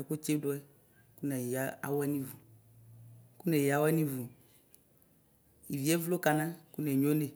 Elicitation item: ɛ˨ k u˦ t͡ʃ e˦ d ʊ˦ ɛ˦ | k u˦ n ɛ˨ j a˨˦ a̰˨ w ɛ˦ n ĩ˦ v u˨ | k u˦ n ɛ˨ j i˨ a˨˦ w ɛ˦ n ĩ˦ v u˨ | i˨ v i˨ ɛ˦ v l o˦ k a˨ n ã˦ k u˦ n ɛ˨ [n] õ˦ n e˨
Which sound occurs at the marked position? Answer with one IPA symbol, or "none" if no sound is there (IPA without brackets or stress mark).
ɲ